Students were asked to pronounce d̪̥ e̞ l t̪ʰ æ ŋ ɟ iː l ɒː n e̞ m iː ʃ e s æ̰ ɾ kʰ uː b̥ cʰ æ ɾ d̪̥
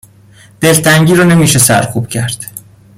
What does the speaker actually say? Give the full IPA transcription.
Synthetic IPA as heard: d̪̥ e̞ l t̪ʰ æ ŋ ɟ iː ɾ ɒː n e̞ m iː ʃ e s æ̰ ɾ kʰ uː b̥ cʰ æ ɾ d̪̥